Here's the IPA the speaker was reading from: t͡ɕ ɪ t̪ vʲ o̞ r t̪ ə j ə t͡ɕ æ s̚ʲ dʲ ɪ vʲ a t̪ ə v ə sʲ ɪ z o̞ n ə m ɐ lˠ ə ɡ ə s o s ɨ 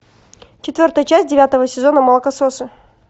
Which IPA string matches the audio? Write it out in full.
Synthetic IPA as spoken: t͡ɕ ɪ t̪ vʲ o̞ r t̪ ə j ə t͡ɕ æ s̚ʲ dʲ ɪ vʲ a t̪ ə v ə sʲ ɪ z o̞ n ə m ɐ lˠ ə k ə s o s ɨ

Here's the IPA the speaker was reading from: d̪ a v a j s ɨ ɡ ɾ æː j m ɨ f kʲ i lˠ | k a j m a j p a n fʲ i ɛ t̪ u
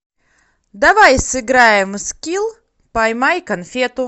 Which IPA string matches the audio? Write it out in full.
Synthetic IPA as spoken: d̪ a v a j s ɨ ɡ ɾ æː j m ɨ s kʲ i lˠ | p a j m a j k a n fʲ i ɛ t̪ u

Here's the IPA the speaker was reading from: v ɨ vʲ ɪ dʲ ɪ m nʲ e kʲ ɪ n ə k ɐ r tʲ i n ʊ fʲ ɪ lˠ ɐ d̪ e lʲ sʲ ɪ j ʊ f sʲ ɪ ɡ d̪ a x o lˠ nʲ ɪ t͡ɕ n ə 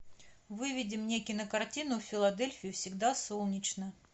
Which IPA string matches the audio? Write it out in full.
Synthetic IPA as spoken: v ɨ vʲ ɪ dʲ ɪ m nʲ e kʲ ɪ n ə k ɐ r tʲ i n ʊ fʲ ɪ lˠ ɐ d̪ e lʲ fʲ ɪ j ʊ f sʲ ɪ ɡ d̪ a s o lˠ nʲ ɪ t͡ɕ n ə

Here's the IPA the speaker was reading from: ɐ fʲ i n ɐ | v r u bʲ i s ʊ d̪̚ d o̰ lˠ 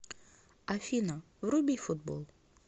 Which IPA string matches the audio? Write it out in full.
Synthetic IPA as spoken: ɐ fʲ i n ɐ | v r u bʲ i f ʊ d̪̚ b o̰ lˠ

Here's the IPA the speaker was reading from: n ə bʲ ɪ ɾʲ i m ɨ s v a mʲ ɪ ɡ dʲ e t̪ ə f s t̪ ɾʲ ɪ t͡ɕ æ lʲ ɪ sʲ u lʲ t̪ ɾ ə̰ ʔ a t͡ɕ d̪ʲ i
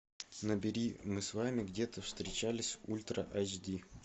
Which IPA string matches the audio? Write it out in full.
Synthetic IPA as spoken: n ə bʲ ɪ ɾʲ i m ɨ s v a mʲ ɪ ɡ dʲ e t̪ ə f s t̪ ɾʲ ɪ t͡ɕ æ lʲ ɪ sʲ u lʲ t̪ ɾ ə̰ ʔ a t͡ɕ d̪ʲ i

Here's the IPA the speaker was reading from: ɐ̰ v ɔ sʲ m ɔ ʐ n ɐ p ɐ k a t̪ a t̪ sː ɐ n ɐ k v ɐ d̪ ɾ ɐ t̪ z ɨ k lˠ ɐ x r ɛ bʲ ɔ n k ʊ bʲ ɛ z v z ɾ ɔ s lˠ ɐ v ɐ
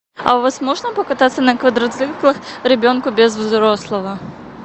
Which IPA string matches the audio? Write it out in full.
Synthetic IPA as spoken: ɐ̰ v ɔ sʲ m ɔ ʐ n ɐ p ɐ k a t̪ a t̪ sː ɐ n ɐ k v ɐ d̪ ɾ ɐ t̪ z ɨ k lˠ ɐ x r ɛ bʲ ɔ n k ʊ bʲ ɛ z v z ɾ ɔ s lˠ ɐ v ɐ

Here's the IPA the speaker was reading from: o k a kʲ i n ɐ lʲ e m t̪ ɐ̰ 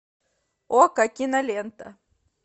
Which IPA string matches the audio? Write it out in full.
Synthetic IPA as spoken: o k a kʲ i n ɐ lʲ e n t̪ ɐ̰

